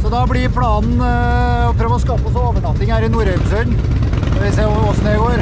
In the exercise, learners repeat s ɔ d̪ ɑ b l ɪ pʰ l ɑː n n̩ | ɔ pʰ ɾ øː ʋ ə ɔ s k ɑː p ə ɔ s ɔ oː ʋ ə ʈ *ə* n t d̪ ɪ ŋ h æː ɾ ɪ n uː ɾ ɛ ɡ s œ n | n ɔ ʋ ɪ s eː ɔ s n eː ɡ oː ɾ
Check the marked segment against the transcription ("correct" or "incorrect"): incorrect